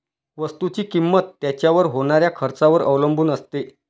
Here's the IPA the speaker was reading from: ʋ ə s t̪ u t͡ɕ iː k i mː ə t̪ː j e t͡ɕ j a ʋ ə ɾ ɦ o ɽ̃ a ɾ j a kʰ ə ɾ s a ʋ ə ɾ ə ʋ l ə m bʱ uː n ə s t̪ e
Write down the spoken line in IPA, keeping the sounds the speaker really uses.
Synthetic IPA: ʋ ə s t̪ u t͡ɕ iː k i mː ə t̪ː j a t͡ɕ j a ʋ ə ɾ ɦ o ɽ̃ a ɾ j a kʰ ə ɾ t͡s a ʋ ə ɾ ə ʋ l ə m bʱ uː n ə s t̪ e